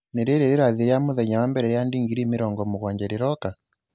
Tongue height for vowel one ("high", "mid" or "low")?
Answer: mid